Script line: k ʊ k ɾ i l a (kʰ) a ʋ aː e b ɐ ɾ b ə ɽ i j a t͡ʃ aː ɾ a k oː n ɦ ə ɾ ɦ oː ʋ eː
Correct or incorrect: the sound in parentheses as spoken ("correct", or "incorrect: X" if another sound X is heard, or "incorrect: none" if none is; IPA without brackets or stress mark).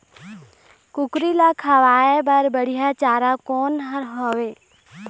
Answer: correct